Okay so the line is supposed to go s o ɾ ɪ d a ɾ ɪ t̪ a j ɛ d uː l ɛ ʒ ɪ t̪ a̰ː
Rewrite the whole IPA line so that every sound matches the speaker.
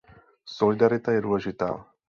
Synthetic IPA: s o l ɪ d a ɾ ɪ t̪ a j ɛ d uː l ɛ ʒ ɪ t̪ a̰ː